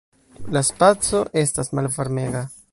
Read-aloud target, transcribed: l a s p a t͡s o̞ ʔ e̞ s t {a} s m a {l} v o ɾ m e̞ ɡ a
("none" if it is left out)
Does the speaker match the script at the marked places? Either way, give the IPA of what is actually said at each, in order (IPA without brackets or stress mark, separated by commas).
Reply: a, l